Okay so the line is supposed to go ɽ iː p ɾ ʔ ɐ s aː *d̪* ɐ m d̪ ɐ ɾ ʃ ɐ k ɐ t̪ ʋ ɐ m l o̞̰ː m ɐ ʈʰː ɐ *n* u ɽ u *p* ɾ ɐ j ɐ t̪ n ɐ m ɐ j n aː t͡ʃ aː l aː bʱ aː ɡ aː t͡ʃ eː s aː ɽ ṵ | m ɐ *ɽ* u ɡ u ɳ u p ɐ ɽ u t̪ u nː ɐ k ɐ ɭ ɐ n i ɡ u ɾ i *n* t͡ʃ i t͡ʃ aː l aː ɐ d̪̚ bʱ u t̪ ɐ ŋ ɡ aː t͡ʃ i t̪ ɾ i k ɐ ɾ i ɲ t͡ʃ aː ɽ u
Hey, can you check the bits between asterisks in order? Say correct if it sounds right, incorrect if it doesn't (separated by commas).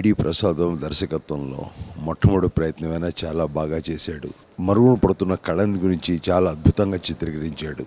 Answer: correct, incorrect, correct, incorrect, incorrect